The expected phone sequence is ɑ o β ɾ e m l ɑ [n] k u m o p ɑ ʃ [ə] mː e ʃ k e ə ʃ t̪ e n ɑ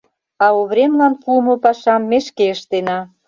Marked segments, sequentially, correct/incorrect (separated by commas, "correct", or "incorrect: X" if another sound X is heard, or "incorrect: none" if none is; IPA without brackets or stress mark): correct, incorrect: ɑ